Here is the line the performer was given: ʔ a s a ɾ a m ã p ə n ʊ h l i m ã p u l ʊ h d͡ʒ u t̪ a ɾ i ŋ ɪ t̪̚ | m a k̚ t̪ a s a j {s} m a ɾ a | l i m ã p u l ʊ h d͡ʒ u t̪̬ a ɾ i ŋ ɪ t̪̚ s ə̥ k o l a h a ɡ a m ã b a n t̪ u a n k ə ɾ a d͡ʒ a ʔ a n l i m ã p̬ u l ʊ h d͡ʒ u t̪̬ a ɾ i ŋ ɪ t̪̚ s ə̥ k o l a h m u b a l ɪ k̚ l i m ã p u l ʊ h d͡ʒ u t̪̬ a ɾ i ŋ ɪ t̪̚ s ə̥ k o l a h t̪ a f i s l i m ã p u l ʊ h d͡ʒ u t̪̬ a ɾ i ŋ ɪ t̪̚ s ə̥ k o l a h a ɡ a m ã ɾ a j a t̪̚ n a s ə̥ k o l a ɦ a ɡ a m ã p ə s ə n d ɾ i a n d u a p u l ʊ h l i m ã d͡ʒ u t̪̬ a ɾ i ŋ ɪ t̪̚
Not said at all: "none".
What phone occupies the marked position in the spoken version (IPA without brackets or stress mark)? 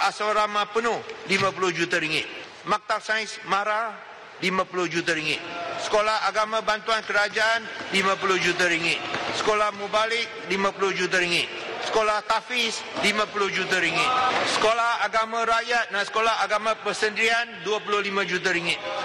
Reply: s